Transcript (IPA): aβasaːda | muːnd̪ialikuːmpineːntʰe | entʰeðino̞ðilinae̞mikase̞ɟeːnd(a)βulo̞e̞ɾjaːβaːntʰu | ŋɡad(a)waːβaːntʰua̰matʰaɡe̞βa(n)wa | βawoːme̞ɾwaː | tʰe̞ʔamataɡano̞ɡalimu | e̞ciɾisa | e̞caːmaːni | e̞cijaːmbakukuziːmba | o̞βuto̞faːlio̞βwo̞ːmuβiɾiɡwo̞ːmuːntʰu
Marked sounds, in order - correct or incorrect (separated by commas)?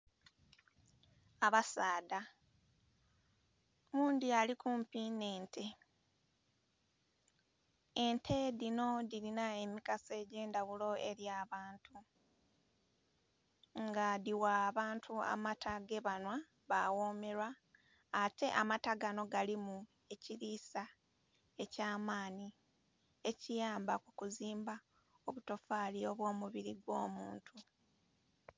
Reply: correct, incorrect, correct